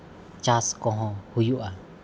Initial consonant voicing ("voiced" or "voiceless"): voiceless